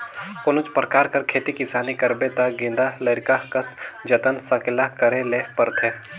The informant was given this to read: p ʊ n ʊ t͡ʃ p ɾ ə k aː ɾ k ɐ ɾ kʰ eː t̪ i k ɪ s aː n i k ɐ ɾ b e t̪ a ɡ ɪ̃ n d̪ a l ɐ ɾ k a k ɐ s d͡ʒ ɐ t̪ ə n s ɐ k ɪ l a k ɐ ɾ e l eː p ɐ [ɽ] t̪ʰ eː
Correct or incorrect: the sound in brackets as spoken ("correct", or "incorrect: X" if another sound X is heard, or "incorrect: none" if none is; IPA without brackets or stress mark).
incorrect: ɾ